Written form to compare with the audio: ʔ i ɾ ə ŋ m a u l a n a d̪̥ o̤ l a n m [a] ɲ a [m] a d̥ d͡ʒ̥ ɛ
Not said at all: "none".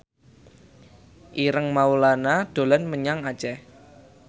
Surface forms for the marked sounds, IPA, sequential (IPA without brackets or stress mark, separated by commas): ə, ŋ